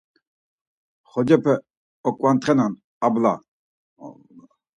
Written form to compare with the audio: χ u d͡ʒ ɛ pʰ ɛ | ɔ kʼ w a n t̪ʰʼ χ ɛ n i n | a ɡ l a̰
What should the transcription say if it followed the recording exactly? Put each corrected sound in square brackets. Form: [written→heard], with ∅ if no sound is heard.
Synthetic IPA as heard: χ [u→ɔ] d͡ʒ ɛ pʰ ɛ | ɔ kʼ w a n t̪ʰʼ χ ɛ n [i→a] n | a [ɡ→b] l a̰